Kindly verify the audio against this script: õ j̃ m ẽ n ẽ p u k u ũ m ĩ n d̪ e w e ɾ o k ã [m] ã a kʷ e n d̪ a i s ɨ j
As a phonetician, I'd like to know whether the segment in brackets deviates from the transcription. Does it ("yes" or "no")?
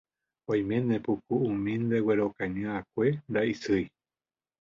yes